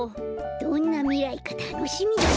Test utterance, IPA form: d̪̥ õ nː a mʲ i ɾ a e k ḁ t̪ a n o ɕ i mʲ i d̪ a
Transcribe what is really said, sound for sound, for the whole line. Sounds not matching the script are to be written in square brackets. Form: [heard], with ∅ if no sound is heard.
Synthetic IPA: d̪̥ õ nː a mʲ i ɾ a [i] k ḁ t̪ a n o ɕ i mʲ i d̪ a

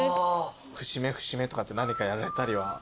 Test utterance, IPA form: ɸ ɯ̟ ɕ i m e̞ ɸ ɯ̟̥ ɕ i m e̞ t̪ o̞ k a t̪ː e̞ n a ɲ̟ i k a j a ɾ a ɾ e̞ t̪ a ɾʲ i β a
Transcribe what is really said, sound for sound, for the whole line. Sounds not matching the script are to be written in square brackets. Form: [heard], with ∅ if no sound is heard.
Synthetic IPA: ɸ ɯ̟ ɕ i m e̞ ɸ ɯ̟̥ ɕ i m e̞ t̪ o̞ k a t̪ː e̞ n a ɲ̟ i k a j a ɾ a ɾ e̞ t̪ a ɾʲ i β a

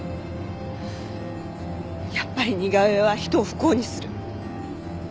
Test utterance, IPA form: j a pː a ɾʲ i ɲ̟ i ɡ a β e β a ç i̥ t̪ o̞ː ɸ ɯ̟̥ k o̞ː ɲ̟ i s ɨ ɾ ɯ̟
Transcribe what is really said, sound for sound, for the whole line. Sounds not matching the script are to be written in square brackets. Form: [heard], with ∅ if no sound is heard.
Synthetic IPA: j a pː a ɾʲ i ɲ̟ i ɡ a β e β a ç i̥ t̪ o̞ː ɸ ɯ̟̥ k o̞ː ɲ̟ i s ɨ ɾ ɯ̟

